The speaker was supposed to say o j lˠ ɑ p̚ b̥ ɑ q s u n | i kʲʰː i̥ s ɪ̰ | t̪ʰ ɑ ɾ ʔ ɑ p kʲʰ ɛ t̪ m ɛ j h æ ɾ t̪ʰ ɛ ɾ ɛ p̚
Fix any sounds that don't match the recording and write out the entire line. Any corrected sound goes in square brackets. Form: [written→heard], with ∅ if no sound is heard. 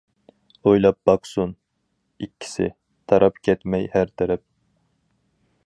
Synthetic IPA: o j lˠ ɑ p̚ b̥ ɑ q s u n | i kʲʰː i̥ s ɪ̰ | t̪ʰ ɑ ɾ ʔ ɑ p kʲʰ ɛ t̪ m ɛ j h æ ɾ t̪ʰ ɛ ɾ ɛ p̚